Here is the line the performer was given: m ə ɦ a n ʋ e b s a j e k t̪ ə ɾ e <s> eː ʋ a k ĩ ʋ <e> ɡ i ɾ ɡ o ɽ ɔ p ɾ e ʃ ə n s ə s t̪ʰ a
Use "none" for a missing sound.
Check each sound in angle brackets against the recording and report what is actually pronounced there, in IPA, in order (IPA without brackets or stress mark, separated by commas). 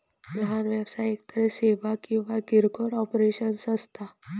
s, a